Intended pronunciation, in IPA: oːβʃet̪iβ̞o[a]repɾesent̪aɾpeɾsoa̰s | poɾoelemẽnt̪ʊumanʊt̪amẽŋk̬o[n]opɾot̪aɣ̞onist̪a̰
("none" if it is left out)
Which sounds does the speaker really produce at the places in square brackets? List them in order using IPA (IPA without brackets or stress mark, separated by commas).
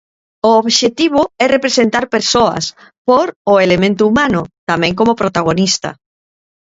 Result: ɛ, m